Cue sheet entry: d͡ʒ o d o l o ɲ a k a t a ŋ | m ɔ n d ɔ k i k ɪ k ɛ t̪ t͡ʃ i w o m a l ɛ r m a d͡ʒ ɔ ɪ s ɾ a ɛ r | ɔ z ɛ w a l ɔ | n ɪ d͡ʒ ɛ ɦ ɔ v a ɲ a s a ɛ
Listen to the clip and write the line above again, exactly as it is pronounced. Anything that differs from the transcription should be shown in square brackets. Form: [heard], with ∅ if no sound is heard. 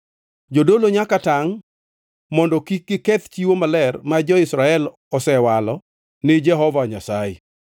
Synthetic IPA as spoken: d͡ʒ o d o l o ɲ a k a t a ŋ | m ɔ n d ɔ k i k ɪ k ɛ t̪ t͡ʃ i w o m a l ɛ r m a d͡ʒ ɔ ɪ s ɾ a ɛ [l] | ɔ [s] ɛ w a l ɔ | n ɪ d͡ʒ ɛ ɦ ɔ v a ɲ a s a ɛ